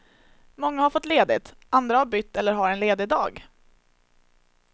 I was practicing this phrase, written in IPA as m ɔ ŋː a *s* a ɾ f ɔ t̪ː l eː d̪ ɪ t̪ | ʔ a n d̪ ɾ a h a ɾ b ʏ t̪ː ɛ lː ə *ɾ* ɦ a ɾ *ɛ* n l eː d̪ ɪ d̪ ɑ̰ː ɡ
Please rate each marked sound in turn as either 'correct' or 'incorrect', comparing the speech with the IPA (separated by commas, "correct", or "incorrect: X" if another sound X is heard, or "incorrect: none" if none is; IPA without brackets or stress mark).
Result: incorrect: h, correct, correct